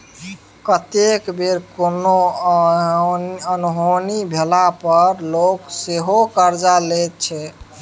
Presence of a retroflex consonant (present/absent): absent